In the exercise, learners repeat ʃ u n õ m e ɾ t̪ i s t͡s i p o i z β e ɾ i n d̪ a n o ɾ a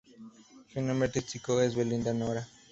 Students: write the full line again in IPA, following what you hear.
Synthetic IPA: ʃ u n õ m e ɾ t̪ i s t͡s i k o e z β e l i n d̪ a n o ɾ a